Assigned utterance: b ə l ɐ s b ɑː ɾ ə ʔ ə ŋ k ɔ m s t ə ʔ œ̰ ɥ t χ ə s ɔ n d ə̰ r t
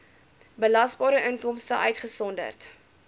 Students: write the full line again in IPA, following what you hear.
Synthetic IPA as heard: b ə l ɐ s b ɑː ɾ ə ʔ ə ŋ k ɔ m s t ə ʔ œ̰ ɥ t χ ə s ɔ n d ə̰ r t